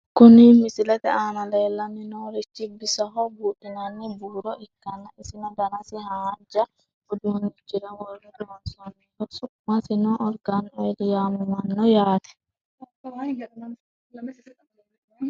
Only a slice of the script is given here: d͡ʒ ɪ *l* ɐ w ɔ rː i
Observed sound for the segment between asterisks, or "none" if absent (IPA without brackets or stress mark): ɾ